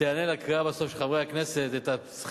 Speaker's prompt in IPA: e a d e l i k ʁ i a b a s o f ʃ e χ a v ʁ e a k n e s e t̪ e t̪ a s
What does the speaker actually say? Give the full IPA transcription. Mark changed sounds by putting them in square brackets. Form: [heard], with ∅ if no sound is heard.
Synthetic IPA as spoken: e a [n] e l [a] k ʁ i a b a s o f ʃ e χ a v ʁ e a k n e s e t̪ e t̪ a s